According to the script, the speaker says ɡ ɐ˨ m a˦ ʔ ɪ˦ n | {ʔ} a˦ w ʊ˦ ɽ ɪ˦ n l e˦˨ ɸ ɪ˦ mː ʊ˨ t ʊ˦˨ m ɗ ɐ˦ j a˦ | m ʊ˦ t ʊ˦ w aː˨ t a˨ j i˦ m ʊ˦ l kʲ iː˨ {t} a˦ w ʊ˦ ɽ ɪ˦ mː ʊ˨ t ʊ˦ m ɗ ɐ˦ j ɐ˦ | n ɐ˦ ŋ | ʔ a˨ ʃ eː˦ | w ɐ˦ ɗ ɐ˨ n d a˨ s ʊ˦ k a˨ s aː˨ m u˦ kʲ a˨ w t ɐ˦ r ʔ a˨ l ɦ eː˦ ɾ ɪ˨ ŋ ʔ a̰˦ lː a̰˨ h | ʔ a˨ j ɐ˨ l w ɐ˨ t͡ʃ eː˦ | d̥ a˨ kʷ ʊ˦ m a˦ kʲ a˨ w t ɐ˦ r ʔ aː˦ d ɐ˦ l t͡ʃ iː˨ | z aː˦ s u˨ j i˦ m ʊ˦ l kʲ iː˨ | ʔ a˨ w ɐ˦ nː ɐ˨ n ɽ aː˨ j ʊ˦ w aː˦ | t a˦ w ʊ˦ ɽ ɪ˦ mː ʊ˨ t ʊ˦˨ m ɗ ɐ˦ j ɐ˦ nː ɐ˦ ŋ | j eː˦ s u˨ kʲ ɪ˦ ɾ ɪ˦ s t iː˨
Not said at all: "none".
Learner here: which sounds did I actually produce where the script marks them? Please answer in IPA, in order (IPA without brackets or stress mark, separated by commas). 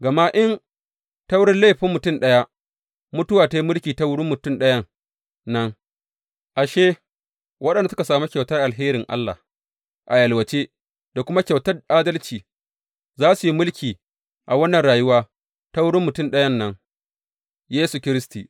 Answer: t, t